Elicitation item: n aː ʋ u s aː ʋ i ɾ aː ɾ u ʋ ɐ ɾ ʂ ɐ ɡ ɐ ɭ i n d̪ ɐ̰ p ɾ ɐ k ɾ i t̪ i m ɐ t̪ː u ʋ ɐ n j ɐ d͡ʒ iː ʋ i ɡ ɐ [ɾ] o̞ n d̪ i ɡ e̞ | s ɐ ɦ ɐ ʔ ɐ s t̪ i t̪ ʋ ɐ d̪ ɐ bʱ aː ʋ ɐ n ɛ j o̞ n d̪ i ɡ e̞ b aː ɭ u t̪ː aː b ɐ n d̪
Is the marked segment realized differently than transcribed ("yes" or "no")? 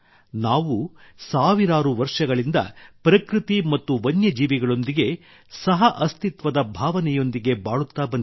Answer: yes